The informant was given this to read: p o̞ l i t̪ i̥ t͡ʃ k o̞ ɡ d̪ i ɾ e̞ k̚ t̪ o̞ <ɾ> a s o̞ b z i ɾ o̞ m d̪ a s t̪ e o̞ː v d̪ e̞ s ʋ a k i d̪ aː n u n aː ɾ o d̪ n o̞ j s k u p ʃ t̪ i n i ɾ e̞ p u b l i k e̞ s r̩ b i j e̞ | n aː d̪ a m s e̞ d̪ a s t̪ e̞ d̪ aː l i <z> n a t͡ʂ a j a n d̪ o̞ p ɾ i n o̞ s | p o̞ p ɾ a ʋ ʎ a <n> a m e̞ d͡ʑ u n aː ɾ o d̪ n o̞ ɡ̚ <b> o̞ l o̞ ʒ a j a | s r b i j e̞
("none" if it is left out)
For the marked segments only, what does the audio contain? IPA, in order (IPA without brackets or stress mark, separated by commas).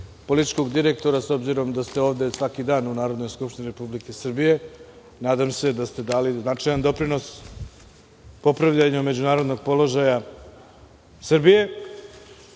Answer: ɾ, z, ɲ, p